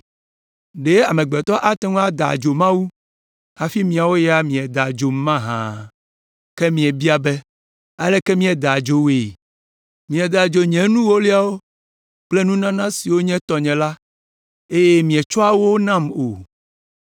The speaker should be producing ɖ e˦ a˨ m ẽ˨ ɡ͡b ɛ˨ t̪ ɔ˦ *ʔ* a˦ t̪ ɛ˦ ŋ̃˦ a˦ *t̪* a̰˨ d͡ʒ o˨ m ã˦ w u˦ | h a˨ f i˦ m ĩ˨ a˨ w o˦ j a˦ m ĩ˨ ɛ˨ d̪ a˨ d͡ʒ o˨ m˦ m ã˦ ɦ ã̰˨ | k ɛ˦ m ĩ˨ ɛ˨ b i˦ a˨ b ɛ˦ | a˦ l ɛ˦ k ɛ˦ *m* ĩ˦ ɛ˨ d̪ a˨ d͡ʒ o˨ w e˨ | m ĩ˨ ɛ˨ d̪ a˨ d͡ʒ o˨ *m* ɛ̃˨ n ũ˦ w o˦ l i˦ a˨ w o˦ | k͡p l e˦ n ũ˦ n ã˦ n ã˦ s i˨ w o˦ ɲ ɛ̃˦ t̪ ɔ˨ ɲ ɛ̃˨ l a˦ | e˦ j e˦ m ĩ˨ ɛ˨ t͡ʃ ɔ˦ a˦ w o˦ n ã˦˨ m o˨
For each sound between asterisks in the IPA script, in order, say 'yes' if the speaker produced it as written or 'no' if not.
yes, no, yes, no

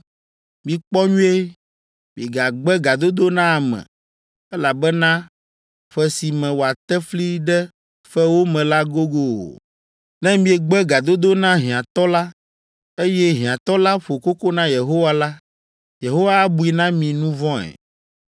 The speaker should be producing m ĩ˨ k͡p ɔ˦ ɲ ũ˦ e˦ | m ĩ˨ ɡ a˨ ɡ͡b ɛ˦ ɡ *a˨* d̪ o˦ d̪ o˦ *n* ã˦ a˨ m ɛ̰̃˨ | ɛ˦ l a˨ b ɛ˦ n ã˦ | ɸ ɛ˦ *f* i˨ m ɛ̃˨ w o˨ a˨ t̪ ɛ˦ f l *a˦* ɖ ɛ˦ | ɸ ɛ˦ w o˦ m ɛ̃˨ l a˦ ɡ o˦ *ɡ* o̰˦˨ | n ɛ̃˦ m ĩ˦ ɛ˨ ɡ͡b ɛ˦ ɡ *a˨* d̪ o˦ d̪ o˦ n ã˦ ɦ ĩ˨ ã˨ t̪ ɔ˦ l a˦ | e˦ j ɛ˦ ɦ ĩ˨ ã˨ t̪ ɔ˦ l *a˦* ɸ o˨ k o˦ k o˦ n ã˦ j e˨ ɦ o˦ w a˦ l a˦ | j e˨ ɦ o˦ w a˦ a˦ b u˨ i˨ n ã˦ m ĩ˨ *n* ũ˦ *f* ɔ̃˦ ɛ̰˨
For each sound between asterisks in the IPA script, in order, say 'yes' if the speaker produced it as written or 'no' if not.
yes, yes, no, no, yes, yes, yes, yes, no

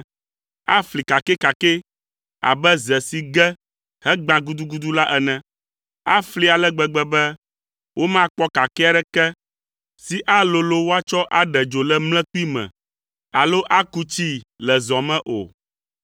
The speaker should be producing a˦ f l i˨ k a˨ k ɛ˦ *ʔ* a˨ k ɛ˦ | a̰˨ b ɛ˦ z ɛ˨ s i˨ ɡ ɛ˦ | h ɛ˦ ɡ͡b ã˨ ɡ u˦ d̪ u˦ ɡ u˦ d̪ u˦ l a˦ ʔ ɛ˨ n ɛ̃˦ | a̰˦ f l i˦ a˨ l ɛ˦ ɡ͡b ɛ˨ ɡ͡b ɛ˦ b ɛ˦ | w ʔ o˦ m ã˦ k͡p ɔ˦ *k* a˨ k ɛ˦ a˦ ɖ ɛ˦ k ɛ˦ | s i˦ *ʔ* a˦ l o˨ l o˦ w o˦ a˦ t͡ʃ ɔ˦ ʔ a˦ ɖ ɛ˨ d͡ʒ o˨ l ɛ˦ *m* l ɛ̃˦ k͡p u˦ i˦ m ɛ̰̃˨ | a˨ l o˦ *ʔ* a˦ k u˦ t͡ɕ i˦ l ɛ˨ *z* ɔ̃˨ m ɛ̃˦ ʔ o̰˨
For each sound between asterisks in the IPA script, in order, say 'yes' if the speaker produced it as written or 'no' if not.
no, yes, yes, yes, yes, yes

